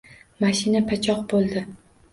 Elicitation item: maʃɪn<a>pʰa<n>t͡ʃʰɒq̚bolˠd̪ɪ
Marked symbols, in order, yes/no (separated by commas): yes, no